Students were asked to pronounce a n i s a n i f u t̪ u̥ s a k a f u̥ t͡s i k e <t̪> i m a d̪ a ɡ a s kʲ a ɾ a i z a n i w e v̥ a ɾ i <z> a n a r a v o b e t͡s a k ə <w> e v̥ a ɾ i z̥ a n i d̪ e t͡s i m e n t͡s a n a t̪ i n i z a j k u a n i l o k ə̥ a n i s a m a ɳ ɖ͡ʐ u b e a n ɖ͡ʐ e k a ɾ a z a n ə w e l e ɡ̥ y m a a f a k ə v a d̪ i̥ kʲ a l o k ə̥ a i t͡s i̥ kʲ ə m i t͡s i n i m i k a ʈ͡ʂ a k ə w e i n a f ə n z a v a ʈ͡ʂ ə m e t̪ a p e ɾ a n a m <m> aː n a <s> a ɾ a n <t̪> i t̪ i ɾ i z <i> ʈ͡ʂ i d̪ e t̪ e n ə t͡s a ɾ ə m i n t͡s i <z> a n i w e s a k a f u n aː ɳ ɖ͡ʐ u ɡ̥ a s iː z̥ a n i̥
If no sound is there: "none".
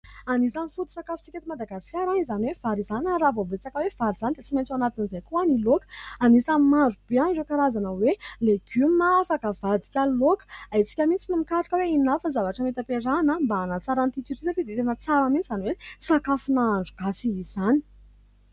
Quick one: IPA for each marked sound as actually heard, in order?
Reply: t̪, z, w, b, t͡s, t̪, a, z

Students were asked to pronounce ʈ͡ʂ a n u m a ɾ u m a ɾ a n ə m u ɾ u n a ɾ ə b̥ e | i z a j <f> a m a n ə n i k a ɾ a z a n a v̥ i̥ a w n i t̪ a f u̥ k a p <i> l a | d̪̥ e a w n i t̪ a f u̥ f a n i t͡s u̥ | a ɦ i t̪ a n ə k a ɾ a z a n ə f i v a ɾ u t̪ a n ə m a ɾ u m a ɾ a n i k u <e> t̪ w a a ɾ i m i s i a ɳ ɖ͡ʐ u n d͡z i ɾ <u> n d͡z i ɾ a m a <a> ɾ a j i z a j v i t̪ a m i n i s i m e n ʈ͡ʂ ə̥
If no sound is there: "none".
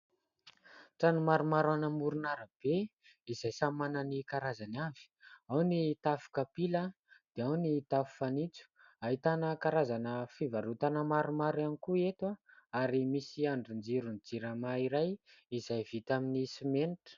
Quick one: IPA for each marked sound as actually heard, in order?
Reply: s, i, e, u, i

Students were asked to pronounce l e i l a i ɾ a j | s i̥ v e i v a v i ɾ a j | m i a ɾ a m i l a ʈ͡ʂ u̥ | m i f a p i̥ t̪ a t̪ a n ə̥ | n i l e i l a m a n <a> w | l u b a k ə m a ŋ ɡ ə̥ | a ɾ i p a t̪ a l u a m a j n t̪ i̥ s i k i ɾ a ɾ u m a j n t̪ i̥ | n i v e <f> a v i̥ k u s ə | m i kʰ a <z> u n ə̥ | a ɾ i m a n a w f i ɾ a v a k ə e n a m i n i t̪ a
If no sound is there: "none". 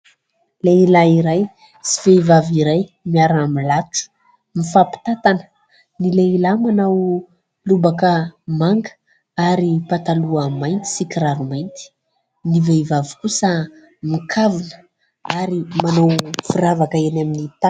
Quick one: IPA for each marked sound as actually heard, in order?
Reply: a, v, v

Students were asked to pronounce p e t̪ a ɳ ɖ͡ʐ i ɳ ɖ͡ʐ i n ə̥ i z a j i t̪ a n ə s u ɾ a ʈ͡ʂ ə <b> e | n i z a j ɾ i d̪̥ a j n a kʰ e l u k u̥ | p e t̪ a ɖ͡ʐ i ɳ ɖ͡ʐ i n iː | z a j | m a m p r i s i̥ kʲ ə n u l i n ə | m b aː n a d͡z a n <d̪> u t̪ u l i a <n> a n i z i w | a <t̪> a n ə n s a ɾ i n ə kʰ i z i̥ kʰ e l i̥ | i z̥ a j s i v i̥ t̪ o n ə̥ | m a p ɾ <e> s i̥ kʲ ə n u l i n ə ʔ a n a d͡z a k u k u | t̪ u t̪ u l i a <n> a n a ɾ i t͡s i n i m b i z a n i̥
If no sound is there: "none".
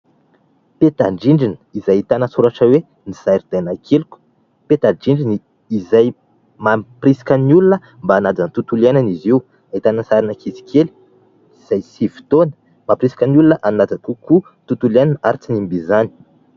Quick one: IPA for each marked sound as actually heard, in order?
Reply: w, t̪, n, t̪, i, n

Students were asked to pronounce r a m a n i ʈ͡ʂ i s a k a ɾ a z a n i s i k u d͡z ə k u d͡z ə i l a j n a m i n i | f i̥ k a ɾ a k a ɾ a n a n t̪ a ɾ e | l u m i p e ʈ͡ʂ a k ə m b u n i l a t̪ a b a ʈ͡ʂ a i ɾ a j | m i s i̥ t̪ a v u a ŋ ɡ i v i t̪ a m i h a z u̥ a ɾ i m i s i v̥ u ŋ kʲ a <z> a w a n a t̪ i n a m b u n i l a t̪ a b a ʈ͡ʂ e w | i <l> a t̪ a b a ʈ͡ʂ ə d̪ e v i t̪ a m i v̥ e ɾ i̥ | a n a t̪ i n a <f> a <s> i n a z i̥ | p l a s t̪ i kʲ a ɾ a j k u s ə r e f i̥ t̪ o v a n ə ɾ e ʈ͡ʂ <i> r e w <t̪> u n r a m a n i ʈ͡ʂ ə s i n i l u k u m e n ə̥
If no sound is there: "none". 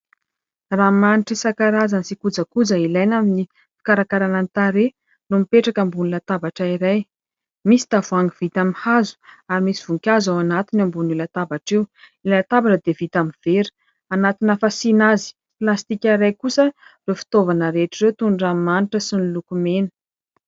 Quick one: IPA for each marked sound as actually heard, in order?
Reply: z, l, f, s, i, t̪

